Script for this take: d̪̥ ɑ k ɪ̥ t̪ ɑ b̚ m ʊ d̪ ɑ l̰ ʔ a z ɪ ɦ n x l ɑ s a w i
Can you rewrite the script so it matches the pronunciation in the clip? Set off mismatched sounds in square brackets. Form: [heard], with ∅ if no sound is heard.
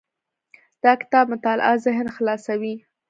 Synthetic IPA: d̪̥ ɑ k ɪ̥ t̪ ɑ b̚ m ʊ [t̪] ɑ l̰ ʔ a z ɪ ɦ n x l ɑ s a w i